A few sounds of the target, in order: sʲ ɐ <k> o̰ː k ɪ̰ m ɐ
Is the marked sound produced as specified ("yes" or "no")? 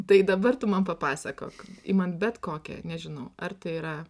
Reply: yes